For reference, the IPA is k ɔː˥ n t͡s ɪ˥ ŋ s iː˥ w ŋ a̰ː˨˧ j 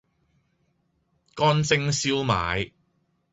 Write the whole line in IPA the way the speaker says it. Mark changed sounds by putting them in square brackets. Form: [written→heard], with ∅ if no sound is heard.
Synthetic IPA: k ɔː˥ n t͡s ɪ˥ ŋ s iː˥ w [ŋ→m] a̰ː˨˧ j